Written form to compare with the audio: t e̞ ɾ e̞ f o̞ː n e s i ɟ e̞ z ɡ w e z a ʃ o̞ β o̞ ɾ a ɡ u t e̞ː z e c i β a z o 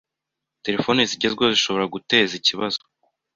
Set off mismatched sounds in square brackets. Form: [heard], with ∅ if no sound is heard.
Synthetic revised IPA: t e̞ ɾ e̞ f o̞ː n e [z] i ɟ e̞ z ɡ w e z [i] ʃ o̞ β o̞ ɾ a ɡ u t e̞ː z [i] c i β a z o